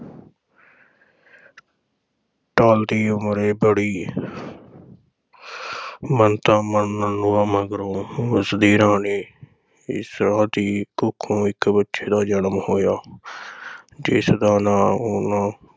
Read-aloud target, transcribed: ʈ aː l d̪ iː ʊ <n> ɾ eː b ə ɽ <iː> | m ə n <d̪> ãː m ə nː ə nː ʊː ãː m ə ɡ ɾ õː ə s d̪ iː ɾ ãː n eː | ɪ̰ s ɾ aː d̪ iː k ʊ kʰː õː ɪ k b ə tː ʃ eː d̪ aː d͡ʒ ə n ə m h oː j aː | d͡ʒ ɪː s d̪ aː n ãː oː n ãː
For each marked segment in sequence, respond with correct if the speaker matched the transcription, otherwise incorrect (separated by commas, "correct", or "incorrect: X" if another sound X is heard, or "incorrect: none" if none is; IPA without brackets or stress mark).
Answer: incorrect: m, correct, incorrect: t̪